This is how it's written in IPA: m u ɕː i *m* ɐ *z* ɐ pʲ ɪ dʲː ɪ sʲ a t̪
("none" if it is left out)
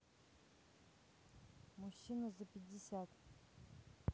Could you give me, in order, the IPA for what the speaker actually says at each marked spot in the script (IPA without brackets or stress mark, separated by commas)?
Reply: n, z